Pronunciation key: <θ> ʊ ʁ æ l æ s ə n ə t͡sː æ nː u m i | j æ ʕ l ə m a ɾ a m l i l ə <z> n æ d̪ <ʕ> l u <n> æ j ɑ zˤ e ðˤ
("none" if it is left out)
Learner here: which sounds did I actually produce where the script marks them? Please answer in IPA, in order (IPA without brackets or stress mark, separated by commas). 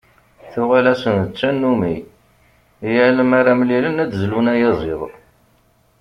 θ, none, z, n